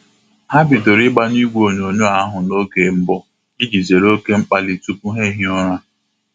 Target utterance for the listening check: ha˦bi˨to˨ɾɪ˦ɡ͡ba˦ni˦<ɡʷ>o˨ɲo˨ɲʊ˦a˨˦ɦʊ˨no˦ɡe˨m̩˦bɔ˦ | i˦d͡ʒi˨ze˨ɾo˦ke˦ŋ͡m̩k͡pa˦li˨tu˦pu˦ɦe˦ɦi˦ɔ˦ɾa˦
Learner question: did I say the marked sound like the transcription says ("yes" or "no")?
yes